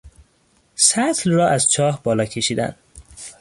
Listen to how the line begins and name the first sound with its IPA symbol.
s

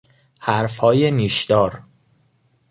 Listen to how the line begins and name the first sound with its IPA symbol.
h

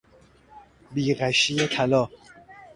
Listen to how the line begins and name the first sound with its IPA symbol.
b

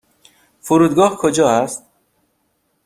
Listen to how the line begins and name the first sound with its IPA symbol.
f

